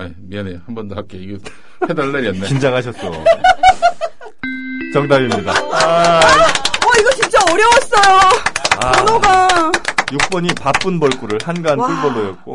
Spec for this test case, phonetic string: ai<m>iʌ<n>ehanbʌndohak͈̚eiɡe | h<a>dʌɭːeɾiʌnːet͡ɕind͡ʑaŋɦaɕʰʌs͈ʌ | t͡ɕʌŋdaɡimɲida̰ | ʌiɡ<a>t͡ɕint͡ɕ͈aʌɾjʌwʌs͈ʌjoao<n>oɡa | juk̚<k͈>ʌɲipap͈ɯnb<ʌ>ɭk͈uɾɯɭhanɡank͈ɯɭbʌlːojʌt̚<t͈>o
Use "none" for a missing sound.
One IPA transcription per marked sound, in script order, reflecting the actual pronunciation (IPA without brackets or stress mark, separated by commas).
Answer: m, n, e, ʌ, n, p͈, ʌ, k͈